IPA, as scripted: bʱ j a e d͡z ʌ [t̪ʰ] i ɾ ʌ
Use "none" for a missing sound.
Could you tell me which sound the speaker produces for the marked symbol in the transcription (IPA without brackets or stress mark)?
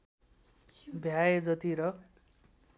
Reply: t̪